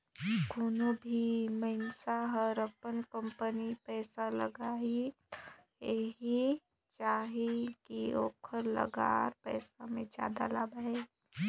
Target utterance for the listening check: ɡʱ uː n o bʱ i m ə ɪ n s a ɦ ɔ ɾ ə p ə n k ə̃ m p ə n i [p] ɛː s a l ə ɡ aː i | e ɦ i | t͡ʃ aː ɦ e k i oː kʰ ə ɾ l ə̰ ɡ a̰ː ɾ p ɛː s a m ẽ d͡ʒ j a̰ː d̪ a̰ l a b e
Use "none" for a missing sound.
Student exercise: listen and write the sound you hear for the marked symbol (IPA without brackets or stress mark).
p